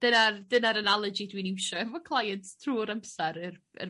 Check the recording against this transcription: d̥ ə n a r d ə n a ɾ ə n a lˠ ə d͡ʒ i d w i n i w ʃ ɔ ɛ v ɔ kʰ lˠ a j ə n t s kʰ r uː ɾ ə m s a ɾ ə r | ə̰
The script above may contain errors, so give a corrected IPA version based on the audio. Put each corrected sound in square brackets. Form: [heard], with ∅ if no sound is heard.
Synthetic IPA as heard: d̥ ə n a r d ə n a ɾ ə n a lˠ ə d͡ʒ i d w i n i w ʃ ɔ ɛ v ɔ kʰ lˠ a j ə n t s [tʰ] r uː ɾ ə m s a ɾ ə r | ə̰